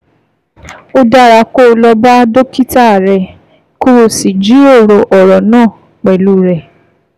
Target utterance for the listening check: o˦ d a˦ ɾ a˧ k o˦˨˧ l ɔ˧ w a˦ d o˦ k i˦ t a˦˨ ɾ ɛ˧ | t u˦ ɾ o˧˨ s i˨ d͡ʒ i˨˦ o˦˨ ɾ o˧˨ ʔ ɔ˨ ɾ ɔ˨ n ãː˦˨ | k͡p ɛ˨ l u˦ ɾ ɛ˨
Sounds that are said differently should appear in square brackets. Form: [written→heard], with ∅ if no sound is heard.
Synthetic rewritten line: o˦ d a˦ ɾ a˧ k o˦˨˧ l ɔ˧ [w→b] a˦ d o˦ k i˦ t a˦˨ ɾ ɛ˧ | [t→k] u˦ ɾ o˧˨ s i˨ d͡ʒ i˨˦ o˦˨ ɾ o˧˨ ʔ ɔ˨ ɾ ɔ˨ n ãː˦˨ | k͡p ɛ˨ l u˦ ɾ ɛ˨